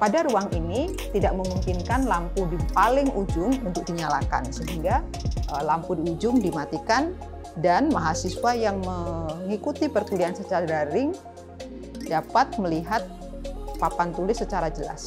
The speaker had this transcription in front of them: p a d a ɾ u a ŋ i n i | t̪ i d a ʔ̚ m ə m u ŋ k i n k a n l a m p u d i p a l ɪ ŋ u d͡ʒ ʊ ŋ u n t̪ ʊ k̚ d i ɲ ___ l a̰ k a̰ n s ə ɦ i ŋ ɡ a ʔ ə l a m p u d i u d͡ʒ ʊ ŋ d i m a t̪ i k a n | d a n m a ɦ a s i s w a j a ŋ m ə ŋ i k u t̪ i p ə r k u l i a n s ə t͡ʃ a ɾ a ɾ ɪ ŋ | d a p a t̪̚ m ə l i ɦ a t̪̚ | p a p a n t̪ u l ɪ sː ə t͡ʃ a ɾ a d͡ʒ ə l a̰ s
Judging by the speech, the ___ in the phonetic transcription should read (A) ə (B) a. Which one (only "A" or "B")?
B